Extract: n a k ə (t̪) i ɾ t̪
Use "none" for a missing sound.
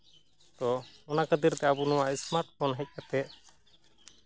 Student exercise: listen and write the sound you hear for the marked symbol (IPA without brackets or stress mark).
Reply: d̪